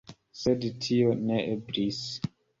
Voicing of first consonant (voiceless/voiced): voiceless